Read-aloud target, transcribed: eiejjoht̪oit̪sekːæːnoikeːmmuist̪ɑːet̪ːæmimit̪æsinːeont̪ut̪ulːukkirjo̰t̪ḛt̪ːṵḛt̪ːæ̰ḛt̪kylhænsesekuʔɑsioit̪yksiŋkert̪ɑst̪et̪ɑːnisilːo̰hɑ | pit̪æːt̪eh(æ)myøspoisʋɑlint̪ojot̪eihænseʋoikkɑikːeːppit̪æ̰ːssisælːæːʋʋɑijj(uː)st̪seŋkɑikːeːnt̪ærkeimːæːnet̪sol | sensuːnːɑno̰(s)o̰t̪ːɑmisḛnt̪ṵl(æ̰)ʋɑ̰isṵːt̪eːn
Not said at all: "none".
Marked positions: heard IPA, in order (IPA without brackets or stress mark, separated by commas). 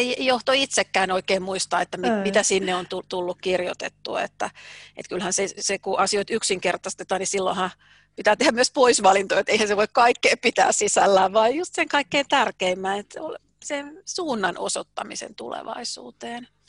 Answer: æ, u, s, ḛ